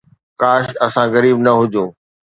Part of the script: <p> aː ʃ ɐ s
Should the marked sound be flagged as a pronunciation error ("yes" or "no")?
yes